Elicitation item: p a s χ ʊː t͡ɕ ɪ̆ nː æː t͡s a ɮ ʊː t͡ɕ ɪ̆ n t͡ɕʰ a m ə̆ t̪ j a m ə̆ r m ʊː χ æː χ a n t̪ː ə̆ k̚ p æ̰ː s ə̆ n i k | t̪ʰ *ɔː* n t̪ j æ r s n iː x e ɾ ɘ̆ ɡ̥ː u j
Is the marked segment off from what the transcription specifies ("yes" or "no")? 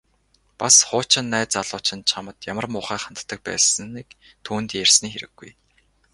yes